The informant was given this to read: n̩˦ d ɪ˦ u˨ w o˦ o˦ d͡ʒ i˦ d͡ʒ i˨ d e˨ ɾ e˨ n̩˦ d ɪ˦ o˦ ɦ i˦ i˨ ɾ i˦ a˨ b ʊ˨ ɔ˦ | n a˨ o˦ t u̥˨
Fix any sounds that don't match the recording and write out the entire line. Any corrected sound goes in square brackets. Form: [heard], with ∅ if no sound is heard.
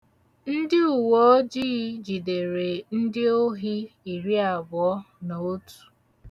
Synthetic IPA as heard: n̩˦ d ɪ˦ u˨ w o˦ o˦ d͡ʒ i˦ d͡ʒ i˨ d e˨ ɾ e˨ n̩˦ d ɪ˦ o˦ ɦ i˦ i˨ ɾ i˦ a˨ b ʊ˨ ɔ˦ | n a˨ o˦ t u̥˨